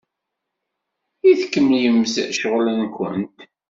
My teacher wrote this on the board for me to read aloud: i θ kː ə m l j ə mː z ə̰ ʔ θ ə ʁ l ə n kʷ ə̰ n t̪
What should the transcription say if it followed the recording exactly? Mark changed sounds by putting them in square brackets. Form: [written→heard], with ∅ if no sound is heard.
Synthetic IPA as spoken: i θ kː ə m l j ə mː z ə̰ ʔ [θ→ʃ] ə ʁ l ə n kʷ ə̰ n t̪

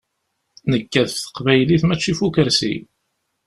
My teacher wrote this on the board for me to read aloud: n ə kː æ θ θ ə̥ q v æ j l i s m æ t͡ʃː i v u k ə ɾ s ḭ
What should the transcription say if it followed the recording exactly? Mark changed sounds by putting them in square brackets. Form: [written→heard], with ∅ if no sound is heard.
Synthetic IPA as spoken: n ə kː æ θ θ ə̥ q v æ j l i [s→θ] m æ t͡ʃː i [v→f] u k ə ɾ s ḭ

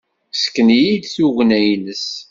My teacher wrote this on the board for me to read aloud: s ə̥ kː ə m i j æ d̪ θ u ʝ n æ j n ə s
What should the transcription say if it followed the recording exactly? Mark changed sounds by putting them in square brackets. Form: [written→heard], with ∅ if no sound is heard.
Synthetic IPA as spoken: s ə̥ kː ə [m→n] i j [æ→i] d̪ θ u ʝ n æ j n ə s

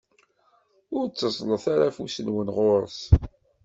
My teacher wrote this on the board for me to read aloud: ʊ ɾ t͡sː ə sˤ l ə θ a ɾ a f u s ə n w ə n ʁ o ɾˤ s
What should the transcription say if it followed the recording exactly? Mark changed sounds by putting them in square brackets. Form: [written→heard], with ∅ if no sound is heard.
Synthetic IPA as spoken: ʊ ɾ t͡sː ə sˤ l ə θ a ɾ a f u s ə n w ə n ʁ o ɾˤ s

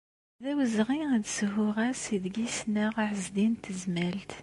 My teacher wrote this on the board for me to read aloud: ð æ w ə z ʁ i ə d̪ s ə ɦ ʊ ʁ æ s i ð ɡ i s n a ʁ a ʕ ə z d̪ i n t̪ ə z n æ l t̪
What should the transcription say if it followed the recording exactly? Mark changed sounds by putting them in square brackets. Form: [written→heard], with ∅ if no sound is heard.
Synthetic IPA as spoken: ð æ w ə z ʁ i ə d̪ s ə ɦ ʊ ʁ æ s i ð ɡ i s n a ʁ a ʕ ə z d̪ i n t̪ ə z [n→m] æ l t̪

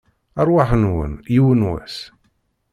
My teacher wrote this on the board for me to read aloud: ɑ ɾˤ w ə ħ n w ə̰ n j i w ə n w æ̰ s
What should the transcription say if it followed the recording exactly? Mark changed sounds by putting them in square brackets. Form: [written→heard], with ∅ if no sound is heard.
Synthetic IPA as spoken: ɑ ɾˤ w [ə→a] ħ n w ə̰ n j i w ə n w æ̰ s

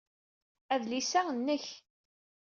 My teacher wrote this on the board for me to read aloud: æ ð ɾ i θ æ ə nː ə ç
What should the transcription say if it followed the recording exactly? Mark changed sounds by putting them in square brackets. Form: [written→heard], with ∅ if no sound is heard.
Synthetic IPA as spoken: æ ð [ɾ→l] i [θ→s] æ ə nː ə ç

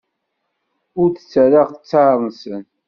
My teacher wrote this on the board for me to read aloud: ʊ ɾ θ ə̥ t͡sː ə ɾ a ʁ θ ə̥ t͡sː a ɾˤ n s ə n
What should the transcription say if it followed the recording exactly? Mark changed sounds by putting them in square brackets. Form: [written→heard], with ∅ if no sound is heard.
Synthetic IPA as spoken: ʊ ɾ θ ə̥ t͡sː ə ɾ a ʁ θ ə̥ t͡sː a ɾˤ n s ə n

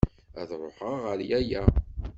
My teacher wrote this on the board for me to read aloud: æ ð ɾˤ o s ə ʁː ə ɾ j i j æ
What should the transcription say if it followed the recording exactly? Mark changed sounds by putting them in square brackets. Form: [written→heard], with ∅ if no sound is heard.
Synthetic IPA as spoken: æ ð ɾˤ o [s→ħ] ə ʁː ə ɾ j [i→æ] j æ

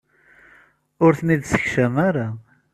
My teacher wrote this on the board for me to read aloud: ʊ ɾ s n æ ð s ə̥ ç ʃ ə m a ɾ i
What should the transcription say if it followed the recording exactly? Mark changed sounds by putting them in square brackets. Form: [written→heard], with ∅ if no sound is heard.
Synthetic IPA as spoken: ʊ ɾ [s→θ] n [æ→i] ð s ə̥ ç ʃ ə m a ɾ [i→a]

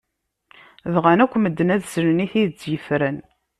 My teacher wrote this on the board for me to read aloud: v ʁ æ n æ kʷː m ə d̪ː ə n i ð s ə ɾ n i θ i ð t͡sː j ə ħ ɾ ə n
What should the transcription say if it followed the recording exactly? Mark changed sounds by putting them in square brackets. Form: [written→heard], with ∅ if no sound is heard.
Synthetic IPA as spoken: [v→ð] ʁ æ n æ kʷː m ə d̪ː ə n [i→æ] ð s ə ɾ n i θ i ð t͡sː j ə [ħ→f] ɾ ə n

